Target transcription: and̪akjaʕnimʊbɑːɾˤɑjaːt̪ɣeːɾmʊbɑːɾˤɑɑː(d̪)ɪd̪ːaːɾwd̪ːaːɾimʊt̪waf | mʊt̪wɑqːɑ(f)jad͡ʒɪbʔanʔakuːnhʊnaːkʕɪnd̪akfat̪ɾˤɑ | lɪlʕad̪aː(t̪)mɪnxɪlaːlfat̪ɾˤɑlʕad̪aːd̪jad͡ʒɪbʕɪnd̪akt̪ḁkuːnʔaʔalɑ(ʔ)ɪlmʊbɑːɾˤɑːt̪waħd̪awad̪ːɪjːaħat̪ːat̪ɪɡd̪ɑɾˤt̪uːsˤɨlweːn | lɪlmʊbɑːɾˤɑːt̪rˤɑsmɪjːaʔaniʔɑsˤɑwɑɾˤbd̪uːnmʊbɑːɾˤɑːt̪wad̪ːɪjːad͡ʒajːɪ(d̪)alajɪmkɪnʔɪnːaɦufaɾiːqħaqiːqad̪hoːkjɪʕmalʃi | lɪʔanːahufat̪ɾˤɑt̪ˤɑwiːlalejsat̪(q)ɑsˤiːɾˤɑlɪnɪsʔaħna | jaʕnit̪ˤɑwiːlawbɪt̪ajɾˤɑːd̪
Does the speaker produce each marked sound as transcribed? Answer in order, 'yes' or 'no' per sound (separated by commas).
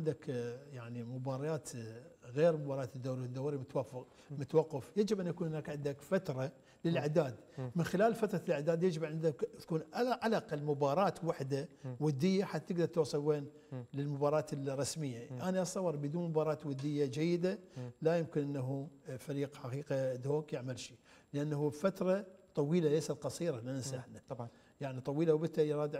no, yes, no, no, yes, yes